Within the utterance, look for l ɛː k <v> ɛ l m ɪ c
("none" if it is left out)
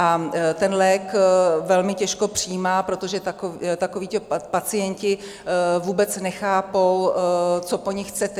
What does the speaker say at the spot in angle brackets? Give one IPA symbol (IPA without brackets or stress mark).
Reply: v